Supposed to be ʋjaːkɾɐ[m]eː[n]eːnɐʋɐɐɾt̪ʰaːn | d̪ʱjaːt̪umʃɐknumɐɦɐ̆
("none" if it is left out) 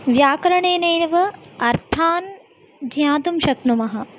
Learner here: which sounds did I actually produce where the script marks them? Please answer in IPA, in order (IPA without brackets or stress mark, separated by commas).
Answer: ɳ, n